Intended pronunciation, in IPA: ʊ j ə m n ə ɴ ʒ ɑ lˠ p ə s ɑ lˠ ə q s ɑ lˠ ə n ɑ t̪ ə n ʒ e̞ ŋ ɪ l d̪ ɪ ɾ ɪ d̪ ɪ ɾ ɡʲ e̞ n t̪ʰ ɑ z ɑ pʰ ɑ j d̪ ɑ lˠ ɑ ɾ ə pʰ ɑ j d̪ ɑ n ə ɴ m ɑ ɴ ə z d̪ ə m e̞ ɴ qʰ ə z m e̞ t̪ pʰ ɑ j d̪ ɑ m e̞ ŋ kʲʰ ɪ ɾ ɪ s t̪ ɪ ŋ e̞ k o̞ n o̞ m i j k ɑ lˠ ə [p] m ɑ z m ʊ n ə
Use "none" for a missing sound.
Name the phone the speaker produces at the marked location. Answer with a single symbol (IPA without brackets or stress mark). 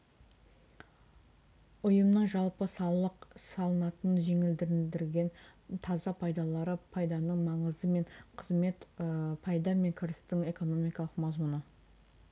q